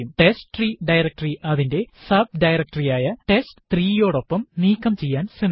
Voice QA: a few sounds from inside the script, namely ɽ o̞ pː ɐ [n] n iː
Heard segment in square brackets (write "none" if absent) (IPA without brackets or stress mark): m